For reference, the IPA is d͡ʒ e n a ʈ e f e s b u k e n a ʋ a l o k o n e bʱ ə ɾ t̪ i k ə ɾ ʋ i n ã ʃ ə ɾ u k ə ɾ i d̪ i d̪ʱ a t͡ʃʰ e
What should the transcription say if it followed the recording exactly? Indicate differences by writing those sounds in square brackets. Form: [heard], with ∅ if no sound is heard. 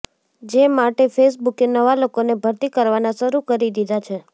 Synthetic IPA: d͡ʒ e [m] a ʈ e f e s b u k e n [ə] ʋ a l o k o n e bʱ ə ɾ t̪ i k ə ɾ ʋ [a] n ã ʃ ə ɾ u k ə ɾ i d̪ i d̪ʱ a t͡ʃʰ e